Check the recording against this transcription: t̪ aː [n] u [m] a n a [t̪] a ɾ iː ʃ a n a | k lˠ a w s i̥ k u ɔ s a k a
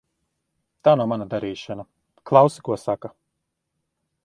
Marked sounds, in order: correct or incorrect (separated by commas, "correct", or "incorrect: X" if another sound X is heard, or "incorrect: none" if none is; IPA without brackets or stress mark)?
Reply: correct, correct, incorrect: d̪